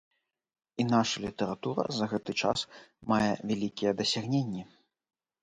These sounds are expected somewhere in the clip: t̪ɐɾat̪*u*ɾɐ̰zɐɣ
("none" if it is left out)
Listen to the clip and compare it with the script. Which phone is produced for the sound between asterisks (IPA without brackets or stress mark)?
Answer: u